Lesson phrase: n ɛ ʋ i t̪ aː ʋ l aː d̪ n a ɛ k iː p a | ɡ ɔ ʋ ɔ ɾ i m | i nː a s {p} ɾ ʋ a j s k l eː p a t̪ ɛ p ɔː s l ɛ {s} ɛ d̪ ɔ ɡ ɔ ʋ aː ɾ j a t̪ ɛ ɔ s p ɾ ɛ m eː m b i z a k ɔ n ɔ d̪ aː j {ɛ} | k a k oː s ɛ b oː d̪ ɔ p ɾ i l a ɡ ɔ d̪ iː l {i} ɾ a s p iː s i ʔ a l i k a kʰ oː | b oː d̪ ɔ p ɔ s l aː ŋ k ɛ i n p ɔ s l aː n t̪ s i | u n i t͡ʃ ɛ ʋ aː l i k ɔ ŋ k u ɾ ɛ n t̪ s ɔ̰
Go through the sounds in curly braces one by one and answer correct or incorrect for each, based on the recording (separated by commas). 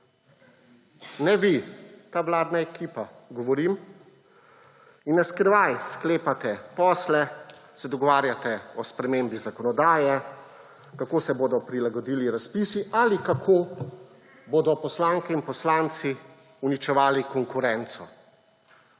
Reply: incorrect, correct, correct, correct